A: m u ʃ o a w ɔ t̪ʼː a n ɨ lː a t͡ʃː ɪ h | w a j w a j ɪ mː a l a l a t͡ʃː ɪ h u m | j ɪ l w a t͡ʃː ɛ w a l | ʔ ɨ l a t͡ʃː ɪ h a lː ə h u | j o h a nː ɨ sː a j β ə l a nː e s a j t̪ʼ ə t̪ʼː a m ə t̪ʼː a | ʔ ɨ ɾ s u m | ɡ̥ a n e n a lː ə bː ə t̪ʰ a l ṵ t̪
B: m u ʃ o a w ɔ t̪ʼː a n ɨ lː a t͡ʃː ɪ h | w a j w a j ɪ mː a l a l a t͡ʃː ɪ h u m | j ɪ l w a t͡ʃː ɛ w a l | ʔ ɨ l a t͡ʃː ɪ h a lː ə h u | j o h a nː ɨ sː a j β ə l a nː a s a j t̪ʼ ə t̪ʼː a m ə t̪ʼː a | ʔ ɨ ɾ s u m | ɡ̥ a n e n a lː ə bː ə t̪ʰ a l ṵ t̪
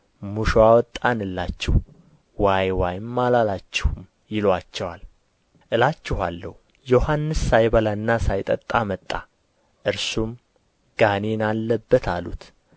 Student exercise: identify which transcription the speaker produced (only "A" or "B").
B